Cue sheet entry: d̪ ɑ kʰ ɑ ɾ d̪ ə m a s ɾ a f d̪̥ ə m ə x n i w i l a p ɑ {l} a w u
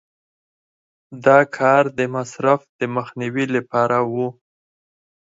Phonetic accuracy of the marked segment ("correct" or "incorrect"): incorrect